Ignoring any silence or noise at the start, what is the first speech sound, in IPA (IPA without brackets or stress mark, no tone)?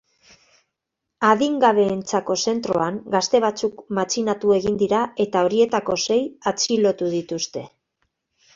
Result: a